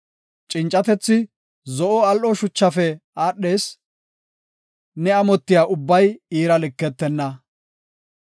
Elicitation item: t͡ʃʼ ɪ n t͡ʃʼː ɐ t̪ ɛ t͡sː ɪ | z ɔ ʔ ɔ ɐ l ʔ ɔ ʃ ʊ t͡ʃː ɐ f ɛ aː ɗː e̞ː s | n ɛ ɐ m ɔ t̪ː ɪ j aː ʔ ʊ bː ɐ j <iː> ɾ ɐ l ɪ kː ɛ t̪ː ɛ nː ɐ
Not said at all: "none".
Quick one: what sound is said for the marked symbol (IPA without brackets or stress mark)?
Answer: iː